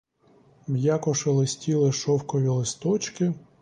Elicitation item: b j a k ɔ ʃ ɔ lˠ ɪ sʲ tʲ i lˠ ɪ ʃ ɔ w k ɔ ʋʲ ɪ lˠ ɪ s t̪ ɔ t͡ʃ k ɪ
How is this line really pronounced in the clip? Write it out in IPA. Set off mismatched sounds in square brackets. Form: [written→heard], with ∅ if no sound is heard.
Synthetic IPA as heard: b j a k ɔ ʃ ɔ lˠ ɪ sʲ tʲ i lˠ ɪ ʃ ɔ w k ɔ ʋʲ [ɪ→i] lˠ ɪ s t̪ ɔ t͡ʃ k ɪ